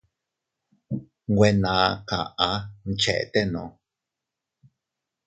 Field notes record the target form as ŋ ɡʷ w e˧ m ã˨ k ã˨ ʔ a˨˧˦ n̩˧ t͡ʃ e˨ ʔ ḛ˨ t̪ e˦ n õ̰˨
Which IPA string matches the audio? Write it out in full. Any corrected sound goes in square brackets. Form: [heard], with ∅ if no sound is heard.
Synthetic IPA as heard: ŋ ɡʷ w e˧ [n] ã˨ k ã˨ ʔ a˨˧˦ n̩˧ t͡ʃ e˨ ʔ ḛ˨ t̪ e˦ n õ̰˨